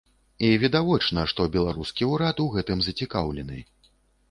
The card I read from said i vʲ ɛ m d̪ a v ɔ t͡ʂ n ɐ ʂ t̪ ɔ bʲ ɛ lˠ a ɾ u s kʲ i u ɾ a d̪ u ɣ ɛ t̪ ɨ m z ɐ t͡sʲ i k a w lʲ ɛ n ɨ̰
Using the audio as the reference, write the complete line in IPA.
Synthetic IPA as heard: i vʲ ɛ d̪ a v ɔ t͡ʂ n ɐ ʂ t̪ ɔ bʲ ɛ lˠ a ɾ u s kʲ i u ɾ a t̪ u ɣ ɛ t̪ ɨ m z ɐ t͡sʲ i k a w lʲ ɛ n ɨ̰